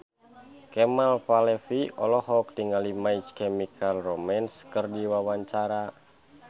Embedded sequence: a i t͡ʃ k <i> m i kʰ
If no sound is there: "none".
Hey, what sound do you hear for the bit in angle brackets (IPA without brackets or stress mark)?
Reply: ɛ